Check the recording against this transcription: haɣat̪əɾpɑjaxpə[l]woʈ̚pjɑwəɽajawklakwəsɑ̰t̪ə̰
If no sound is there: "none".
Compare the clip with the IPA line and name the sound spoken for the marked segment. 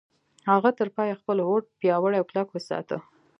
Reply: l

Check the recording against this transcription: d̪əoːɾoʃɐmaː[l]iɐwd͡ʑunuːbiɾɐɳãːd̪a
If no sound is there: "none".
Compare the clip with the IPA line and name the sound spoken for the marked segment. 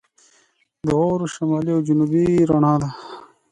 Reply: l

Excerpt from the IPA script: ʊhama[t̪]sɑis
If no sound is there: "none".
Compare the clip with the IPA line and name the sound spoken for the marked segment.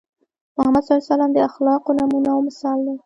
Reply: d̪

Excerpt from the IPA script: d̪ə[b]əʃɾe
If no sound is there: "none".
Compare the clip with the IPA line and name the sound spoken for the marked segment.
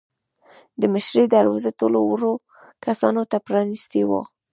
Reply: m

